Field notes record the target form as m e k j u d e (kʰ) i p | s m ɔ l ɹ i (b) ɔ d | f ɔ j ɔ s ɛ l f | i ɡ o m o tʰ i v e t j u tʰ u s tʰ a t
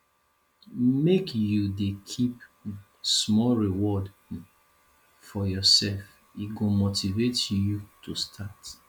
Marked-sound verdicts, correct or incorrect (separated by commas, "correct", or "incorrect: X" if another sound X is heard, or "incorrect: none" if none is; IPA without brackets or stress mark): correct, incorrect: w